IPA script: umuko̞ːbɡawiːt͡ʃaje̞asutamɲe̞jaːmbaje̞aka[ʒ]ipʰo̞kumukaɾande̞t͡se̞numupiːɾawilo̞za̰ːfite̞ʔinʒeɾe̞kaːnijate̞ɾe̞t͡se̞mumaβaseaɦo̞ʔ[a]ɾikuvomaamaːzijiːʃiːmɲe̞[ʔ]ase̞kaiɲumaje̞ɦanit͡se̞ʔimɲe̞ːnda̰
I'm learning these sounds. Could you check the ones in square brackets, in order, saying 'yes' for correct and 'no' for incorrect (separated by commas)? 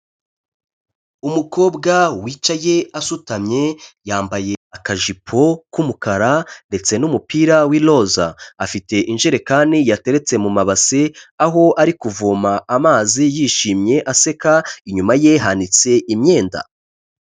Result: yes, yes, yes